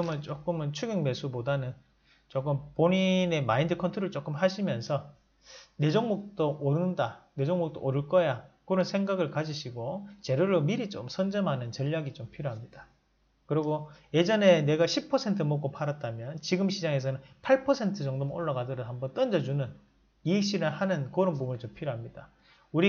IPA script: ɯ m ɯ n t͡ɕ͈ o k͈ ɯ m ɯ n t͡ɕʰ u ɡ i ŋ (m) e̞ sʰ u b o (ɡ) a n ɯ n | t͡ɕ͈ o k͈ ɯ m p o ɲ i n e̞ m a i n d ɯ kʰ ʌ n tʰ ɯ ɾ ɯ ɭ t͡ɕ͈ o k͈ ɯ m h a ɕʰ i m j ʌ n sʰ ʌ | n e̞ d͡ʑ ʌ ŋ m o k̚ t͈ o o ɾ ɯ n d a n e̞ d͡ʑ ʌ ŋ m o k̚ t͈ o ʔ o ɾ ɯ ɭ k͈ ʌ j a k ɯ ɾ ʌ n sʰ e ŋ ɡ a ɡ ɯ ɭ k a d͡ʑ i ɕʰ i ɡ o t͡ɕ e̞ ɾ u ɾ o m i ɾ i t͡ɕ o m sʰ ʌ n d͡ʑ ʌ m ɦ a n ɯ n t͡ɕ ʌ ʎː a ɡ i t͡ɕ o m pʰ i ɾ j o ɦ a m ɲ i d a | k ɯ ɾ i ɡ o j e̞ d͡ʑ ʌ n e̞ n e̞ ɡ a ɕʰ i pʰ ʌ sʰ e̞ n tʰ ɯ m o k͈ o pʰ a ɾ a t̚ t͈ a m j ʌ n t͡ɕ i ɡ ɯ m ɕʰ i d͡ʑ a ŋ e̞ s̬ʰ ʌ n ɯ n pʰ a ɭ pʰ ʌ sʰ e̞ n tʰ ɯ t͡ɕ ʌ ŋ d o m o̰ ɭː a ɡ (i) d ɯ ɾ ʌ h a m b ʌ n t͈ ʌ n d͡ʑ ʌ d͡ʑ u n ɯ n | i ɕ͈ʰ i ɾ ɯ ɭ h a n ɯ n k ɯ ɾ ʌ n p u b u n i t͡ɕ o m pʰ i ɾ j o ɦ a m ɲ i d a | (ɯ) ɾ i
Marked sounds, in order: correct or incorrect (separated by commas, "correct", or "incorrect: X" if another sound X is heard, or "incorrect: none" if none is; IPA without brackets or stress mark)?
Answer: correct, incorrect: d, incorrect: a, incorrect: u